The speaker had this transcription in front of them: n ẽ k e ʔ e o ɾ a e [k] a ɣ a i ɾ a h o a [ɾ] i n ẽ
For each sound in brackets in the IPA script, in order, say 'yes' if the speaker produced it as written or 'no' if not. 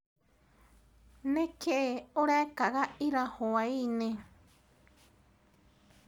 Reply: yes, no

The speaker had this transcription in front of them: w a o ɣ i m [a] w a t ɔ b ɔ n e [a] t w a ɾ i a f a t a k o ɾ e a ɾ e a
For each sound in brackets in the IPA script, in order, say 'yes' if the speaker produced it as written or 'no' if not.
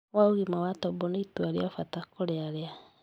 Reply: yes, no

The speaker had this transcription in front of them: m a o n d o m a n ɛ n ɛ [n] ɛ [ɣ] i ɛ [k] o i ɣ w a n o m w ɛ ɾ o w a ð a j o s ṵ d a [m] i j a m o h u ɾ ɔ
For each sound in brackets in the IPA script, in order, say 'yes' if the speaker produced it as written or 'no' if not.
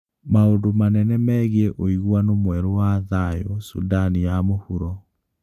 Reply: no, yes, no, no

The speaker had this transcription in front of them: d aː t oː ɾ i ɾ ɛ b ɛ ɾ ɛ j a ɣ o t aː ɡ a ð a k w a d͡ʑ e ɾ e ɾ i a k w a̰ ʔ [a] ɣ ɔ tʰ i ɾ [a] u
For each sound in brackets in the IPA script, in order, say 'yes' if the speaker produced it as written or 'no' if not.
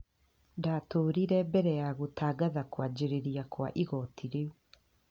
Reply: no, no

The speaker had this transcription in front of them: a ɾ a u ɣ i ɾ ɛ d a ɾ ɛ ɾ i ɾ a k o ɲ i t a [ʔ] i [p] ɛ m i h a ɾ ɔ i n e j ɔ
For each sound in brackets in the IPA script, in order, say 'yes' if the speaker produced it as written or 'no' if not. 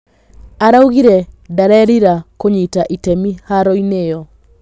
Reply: yes, no

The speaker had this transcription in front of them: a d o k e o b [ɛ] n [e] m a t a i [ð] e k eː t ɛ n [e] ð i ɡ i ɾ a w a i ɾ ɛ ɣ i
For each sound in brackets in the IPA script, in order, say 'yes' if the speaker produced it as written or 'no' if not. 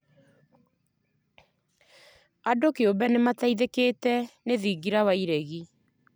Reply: yes, yes, yes, yes

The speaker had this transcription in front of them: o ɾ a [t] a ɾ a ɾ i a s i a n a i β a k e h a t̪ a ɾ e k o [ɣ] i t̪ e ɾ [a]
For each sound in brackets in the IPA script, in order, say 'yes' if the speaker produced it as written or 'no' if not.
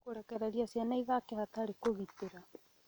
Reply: no, yes, yes

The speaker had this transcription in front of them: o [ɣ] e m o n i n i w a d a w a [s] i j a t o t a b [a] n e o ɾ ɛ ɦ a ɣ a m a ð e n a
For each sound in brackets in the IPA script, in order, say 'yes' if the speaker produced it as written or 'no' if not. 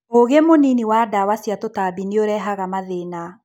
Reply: yes, yes, no

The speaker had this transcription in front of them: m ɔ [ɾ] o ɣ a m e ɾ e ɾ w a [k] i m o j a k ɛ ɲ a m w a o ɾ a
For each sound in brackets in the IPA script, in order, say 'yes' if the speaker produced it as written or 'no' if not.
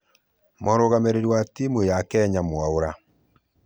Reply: yes, no

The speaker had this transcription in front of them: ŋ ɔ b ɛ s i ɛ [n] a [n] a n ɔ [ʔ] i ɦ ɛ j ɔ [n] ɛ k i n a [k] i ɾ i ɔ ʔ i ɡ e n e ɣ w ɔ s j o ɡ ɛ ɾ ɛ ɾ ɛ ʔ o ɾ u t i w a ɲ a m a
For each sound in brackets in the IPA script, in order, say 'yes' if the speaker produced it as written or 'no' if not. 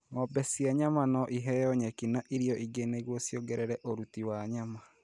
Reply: no, no, yes, no, no

